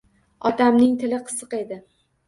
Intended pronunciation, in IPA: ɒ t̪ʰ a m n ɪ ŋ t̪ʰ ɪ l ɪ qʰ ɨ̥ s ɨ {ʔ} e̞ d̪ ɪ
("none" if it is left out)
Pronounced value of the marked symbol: q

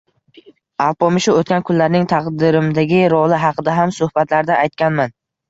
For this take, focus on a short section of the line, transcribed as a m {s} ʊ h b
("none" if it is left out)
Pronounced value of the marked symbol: s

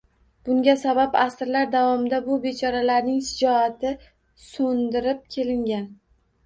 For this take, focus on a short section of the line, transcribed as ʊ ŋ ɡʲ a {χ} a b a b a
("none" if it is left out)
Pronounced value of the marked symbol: s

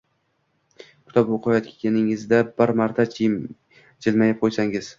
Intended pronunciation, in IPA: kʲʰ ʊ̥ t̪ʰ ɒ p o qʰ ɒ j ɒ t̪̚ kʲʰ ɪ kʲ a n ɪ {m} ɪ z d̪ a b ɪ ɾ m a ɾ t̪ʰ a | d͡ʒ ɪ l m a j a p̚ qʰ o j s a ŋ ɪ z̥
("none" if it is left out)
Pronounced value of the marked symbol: ŋ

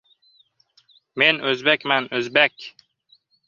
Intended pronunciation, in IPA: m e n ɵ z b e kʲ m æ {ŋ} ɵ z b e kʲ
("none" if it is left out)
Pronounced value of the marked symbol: n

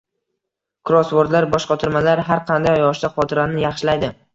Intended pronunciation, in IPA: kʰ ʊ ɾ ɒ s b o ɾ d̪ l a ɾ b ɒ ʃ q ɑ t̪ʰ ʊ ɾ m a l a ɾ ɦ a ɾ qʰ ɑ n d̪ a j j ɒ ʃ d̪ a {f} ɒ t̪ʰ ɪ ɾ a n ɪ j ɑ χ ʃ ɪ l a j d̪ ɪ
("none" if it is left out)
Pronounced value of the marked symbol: χ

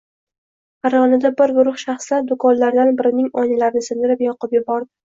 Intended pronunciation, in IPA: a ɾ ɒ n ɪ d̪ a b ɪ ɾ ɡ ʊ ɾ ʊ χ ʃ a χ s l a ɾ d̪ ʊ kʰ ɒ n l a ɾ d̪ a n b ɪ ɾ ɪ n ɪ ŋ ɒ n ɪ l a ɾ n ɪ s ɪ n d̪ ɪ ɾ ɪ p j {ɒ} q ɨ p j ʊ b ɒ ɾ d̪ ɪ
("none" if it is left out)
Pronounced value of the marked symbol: ɒ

